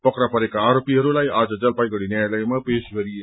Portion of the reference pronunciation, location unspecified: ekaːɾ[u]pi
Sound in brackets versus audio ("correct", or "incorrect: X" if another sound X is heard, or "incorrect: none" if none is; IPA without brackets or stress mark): incorrect: o